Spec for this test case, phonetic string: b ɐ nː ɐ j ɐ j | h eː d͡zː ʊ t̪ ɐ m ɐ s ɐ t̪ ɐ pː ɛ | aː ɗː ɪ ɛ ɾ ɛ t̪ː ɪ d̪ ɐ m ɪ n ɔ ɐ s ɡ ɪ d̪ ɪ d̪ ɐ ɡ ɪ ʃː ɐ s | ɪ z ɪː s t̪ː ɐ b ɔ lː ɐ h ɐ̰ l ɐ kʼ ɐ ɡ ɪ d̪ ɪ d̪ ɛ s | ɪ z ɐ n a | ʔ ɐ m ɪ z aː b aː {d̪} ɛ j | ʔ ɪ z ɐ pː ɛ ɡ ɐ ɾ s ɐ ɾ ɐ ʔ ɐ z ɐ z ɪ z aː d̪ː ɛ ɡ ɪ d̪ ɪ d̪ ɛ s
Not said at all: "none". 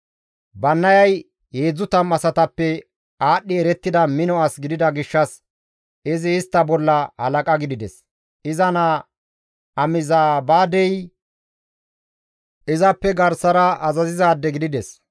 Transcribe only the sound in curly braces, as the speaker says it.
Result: d̪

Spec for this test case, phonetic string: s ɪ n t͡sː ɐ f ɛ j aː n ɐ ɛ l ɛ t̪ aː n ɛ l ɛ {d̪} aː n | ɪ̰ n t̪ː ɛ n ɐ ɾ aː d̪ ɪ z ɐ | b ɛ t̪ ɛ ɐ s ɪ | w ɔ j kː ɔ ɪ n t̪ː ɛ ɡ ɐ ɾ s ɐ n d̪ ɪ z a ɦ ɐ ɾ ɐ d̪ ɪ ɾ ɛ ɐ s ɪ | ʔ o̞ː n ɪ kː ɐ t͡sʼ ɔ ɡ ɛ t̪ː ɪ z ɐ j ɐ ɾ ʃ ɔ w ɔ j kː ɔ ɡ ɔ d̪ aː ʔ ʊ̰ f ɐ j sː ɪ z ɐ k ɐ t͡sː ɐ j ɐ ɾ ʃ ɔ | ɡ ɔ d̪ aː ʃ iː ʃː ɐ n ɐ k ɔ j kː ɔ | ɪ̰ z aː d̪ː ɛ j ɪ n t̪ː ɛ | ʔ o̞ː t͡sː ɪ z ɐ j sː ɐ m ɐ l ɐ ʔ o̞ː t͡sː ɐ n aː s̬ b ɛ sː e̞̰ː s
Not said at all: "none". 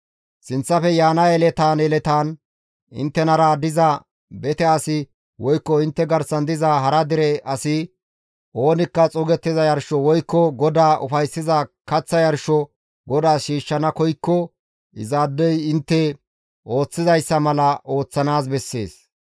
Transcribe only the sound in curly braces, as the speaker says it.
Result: t̪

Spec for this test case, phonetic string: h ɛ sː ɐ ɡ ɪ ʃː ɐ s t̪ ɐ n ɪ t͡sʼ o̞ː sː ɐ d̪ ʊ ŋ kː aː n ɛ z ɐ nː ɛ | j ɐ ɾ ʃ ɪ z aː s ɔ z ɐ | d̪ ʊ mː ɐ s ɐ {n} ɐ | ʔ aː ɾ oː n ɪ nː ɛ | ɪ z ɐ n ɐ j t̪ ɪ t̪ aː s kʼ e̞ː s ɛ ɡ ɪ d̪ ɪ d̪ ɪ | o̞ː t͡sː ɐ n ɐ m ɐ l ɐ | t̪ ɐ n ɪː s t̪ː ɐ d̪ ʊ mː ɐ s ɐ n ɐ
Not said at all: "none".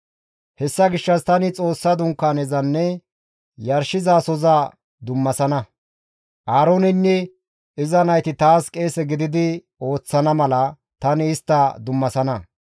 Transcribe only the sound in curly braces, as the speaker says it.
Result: n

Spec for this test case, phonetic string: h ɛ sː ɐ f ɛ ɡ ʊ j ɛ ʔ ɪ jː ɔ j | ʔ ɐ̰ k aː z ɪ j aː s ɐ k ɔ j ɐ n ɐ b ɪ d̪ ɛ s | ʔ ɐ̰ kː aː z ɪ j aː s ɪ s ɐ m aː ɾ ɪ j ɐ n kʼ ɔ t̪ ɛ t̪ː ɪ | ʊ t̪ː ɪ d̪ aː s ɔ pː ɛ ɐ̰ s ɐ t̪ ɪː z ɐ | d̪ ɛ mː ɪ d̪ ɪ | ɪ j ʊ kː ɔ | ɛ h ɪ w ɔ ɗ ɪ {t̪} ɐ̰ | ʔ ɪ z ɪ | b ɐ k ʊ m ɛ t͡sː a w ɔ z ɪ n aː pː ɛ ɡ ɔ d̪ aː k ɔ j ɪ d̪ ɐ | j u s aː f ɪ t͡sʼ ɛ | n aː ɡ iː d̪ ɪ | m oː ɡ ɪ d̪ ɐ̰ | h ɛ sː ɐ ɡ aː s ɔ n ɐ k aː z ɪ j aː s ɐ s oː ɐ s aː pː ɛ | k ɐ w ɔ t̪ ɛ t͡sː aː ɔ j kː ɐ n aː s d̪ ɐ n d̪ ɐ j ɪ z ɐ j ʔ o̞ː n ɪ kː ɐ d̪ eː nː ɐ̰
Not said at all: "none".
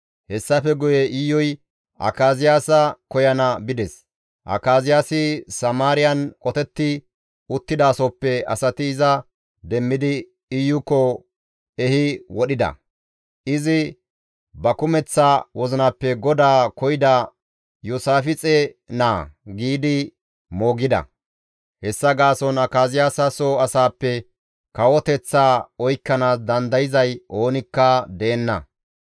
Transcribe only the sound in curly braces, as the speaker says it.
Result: d̪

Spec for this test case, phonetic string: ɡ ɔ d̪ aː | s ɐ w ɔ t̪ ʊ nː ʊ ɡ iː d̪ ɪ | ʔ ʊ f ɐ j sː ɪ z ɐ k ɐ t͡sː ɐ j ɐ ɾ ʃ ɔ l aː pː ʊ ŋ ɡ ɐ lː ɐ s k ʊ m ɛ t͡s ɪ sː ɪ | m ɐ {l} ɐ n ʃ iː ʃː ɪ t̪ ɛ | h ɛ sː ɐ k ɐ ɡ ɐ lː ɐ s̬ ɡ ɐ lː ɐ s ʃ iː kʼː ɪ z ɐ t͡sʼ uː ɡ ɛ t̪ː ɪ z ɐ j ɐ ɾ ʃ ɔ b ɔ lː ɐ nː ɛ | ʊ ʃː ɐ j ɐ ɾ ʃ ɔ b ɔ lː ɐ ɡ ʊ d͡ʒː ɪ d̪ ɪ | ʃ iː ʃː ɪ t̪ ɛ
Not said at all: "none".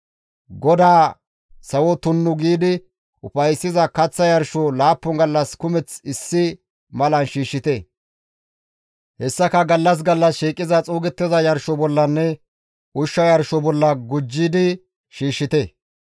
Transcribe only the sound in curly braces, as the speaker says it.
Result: l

